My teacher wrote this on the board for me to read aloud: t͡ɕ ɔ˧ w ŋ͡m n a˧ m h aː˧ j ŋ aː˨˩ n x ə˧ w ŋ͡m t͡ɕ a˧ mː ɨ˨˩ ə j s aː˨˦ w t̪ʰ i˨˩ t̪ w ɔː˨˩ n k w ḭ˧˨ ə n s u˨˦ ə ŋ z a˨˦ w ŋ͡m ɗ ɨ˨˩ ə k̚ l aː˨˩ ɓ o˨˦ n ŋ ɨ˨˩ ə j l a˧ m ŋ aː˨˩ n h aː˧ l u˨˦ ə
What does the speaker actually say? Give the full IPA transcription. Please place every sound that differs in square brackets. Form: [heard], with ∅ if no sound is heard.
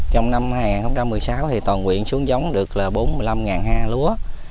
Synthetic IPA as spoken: t͡ɕ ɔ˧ w ŋ͡m n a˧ m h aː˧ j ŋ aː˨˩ n x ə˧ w ŋ͡m t͡ɕ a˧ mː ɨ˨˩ ə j s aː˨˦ w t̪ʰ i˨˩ t̪ w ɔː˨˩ n k w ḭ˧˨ ə n s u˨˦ ə ŋ z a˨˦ w ŋ͡m ɗ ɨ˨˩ ə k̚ l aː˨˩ ɓ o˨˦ n [m] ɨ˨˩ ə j l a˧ m ŋ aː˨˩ n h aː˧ l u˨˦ ə